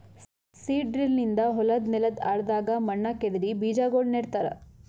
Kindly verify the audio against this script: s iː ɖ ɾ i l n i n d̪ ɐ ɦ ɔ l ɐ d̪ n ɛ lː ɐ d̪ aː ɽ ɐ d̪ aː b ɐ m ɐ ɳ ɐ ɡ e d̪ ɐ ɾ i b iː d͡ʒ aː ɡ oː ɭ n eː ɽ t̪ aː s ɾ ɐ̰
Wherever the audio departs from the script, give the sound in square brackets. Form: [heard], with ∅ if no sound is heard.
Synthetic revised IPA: s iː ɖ ɾ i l n i n d̪ ɐ ɦ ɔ l ɐ d̪ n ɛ [l] ɐ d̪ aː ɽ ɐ d̪ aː [ɡ] ɐ m ɐ [ɳː] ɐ [k] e d̪ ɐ ɾ i b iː d͡ʒ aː ɡ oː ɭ n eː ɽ t̪ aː [∅] ɾ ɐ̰